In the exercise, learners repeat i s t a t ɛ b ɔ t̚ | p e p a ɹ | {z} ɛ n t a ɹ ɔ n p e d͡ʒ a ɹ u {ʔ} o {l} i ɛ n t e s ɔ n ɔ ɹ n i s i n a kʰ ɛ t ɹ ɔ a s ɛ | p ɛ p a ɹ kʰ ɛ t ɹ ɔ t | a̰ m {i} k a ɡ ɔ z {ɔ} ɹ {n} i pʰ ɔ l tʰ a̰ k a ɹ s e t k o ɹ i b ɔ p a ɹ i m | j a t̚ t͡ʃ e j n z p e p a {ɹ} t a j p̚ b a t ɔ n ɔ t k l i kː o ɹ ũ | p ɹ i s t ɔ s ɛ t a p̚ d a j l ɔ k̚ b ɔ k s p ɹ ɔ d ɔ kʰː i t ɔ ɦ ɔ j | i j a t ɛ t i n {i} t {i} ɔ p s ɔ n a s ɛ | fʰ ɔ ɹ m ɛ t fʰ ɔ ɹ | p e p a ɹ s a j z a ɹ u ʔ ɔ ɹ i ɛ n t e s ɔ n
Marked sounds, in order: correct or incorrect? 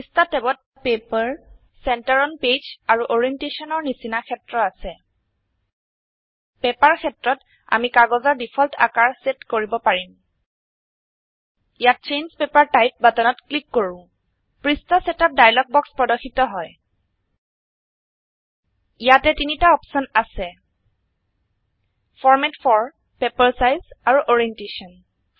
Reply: incorrect: s, correct, incorrect: ɹ, correct, correct, incorrect: d, correct, correct, incorrect: a

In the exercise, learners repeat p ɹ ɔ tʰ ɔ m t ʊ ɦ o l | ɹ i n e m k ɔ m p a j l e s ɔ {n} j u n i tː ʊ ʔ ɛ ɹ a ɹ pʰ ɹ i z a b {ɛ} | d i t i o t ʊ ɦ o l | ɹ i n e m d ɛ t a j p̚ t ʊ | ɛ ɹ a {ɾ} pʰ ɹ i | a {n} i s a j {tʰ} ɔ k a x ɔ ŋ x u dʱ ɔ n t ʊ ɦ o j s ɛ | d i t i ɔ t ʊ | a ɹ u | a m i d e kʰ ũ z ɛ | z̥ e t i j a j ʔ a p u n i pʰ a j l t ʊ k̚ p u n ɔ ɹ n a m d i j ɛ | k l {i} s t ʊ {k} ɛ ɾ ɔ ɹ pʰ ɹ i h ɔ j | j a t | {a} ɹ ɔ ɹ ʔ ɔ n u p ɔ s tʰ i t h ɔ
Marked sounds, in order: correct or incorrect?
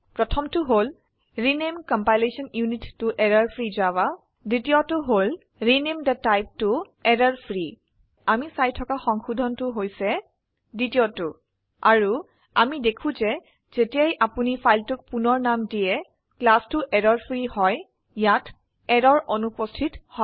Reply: correct, incorrect: a, incorrect: ɹ, incorrect: m, correct, incorrect: a, incorrect: ʔ, incorrect: ɛ

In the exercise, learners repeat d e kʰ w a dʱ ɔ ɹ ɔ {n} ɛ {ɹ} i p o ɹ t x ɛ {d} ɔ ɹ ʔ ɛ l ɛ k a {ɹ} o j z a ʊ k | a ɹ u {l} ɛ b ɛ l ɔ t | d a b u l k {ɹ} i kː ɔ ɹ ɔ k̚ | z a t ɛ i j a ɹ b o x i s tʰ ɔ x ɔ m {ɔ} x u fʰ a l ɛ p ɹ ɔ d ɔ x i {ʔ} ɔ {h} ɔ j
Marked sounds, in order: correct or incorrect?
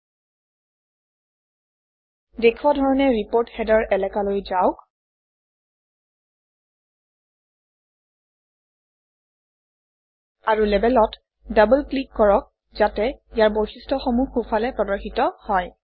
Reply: correct, correct, correct, incorrect: l, correct, incorrect: l, incorrect: u, incorrect: t, correct

